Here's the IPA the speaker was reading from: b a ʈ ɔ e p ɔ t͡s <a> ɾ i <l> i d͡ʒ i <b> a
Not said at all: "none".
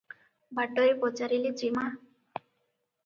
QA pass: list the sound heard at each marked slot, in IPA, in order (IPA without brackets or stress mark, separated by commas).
a, l, m